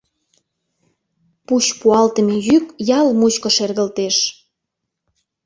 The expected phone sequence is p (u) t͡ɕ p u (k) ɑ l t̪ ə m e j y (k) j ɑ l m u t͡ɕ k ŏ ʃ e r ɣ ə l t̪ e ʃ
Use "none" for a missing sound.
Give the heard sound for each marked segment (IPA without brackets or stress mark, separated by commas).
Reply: u, none, k